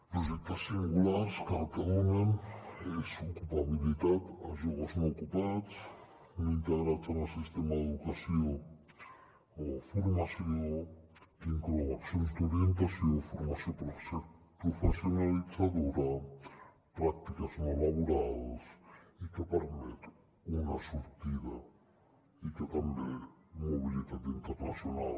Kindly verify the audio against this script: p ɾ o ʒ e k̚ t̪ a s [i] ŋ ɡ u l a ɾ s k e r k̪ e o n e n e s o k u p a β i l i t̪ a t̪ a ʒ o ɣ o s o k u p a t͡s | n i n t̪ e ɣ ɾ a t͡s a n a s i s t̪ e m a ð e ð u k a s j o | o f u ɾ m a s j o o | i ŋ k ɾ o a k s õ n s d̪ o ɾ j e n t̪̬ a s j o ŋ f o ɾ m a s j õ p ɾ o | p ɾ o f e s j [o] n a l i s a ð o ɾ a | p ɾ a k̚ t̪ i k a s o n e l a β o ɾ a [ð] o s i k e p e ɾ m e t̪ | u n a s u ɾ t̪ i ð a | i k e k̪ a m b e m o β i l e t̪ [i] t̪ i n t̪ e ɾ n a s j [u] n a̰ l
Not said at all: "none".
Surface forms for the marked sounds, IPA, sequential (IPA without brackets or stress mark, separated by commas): i, o, ð, a, o